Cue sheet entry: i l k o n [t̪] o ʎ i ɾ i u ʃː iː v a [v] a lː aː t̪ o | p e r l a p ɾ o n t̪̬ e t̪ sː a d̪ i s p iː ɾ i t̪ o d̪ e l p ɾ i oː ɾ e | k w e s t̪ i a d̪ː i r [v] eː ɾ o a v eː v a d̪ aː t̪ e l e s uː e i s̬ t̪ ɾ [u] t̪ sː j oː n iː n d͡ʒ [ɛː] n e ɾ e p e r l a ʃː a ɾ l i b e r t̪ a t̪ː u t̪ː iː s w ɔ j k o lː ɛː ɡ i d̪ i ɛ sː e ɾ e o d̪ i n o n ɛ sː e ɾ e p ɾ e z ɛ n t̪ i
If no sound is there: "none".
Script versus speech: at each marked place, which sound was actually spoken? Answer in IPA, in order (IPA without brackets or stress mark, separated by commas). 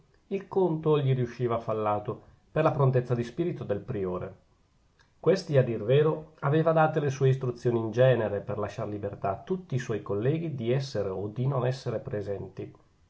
t̪, f, v, u, ɛː